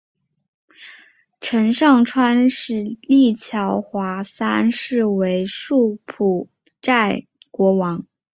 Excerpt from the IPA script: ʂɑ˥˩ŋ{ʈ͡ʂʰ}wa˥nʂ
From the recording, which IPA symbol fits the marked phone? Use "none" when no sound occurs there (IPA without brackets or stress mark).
ʈ͡ʂʰ